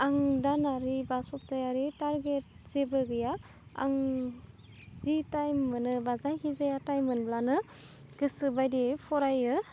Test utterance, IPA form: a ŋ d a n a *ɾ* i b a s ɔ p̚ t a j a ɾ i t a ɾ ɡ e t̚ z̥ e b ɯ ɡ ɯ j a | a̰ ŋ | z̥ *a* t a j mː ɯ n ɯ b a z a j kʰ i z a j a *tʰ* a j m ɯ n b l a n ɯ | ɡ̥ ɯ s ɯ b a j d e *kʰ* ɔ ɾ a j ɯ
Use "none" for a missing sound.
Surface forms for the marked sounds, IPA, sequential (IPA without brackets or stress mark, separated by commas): ɾ, i, t, pʰ